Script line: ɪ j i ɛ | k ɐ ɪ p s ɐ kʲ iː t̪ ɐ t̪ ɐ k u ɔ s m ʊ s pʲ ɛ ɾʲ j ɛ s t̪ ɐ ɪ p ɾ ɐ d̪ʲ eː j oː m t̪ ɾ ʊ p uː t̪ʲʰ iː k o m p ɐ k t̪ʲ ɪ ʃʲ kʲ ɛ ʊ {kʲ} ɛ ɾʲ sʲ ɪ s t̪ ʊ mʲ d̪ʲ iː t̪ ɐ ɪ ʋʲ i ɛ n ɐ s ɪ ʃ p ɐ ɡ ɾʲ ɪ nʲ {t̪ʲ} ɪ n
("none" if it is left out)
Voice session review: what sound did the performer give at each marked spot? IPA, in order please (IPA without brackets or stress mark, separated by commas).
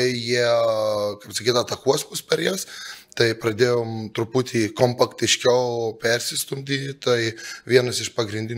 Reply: pʲ, d̪ʲ